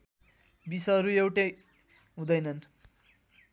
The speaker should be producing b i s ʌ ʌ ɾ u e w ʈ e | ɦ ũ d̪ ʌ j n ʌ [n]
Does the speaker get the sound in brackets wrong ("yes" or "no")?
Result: no